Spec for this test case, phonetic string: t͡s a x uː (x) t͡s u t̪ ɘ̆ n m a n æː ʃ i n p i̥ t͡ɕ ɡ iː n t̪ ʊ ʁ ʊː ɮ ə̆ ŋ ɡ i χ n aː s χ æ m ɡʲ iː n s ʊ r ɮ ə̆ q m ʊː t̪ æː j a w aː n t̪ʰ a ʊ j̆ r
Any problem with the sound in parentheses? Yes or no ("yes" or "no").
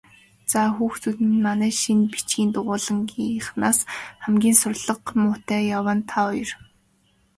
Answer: no